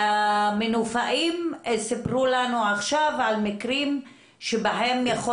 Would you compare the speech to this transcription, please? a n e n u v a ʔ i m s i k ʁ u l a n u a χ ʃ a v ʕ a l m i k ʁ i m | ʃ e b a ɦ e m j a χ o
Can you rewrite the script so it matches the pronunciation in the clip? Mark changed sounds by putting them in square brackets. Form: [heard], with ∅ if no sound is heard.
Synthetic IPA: a [m] e n u [f] a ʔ i m s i [p] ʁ u l a n u a χ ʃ a v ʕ a l m i k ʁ i m | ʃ e b a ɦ e m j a χ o